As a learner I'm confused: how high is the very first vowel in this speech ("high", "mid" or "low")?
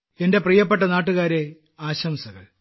mid